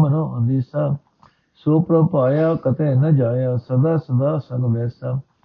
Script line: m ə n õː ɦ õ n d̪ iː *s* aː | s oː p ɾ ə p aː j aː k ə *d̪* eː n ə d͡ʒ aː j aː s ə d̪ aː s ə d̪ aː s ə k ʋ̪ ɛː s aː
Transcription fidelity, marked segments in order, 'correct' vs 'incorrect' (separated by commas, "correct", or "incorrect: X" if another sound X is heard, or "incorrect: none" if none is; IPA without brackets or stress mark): correct, incorrect: t̪